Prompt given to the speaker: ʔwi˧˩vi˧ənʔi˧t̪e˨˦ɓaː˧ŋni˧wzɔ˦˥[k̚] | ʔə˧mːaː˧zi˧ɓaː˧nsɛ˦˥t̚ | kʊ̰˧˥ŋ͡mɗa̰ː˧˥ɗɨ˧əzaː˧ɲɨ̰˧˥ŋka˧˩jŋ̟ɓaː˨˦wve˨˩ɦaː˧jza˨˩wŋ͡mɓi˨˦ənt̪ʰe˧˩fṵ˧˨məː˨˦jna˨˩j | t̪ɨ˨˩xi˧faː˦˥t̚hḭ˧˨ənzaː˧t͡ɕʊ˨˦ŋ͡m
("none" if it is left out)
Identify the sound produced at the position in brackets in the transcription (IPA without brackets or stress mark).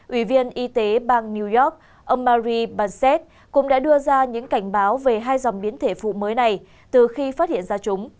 k̚